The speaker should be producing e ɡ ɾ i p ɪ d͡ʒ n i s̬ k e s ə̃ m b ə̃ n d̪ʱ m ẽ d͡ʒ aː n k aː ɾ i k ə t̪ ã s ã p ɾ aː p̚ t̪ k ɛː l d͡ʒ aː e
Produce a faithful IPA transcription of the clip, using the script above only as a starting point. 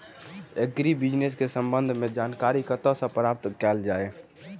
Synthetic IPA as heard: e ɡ ɾ i b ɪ d͡ʒ n e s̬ k e s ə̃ m b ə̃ n d̪ʱ m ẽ d͡ʒ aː n k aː ɾ i k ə t̪ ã s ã p ɾ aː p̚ t̪ k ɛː l d͡ʒ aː e

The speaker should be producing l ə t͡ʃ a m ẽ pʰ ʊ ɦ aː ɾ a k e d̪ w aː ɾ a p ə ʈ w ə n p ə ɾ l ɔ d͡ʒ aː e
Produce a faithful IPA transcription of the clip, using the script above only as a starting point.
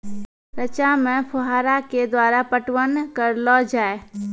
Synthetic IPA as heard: ɾ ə t͡ʃ a m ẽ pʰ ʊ ɦ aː ɾ a k e d̪ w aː ɾ a p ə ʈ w ə n k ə ɾ l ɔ d͡ʒ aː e

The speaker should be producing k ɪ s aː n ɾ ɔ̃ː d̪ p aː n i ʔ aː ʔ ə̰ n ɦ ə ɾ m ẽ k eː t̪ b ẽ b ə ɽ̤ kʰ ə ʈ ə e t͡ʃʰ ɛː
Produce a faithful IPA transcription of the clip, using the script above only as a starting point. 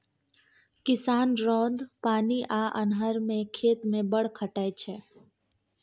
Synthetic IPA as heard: k ɪ s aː n ɾ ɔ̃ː d̪ p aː n i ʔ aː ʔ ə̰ n ɦ ə ɾ m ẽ kʰ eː t̪ m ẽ b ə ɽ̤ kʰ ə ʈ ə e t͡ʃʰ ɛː

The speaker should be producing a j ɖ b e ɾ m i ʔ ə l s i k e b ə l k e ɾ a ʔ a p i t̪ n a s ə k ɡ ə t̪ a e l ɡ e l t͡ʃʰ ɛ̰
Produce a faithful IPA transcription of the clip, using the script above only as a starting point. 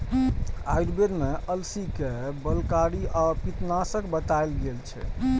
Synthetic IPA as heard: a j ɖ b e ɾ m e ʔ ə l s i k e b ə l k a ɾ i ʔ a p i t̪ n a s ə k b ə t̪ a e l ɡ e l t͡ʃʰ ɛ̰

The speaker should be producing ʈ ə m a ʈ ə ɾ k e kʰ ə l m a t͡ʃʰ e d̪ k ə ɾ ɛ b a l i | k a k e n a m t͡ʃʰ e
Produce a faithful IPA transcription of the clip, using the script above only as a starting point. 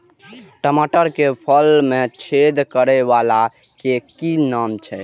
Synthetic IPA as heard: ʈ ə m a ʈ ə ɾ k e pʰ ə l m e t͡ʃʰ e d̪ k ə ɾ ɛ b a l a | k e k i n a m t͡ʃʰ ɛ

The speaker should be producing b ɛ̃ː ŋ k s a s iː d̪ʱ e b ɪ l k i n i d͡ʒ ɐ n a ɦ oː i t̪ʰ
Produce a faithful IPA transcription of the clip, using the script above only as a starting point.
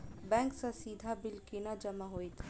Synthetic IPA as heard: b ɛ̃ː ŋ k s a s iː d̪ʱ a b ɪ l k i n a d͡ʒ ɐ m a ɦ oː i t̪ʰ

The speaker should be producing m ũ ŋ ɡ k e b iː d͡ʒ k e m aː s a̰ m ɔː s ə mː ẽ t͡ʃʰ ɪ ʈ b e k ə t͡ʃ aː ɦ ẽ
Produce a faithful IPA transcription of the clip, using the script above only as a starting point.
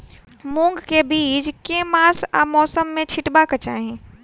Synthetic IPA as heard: m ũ ŋ ɡ k e b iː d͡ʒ k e m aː s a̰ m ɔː s ə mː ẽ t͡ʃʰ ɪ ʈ b a k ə t͡ʃ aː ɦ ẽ

